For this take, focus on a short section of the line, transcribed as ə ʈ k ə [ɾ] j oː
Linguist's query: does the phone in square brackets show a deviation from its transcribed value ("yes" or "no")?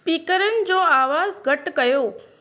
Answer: yes